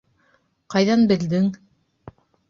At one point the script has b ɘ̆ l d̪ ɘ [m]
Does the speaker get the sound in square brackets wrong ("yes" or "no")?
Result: yes